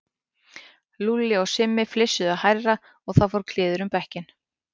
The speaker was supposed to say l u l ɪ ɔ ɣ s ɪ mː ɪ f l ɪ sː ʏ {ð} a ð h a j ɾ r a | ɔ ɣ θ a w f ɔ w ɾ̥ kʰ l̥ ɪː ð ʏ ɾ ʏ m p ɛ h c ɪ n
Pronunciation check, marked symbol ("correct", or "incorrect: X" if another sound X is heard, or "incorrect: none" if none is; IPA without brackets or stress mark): correct